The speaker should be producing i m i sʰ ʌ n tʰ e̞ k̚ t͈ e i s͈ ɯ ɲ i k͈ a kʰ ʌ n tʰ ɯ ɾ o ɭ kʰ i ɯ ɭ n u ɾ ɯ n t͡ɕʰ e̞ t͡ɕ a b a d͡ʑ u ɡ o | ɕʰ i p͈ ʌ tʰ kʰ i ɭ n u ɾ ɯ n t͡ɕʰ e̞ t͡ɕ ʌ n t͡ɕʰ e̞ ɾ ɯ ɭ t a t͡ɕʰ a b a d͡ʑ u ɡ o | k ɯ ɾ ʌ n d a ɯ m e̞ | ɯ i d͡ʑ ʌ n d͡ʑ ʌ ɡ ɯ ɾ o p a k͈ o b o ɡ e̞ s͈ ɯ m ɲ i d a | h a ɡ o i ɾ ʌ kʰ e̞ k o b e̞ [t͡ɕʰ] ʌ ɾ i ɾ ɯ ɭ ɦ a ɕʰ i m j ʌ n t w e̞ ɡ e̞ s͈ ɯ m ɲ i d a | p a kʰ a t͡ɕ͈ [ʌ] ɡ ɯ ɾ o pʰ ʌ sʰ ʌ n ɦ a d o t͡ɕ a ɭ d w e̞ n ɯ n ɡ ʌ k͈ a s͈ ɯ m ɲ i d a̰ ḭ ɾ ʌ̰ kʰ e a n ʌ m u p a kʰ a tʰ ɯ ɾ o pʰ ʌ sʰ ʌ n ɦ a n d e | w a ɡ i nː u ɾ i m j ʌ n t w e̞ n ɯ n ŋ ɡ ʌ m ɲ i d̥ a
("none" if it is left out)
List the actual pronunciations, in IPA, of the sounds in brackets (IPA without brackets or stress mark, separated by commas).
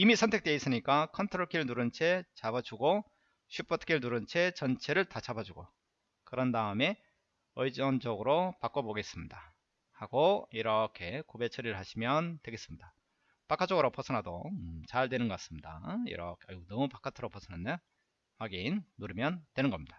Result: t͡ɕʰ, ʌ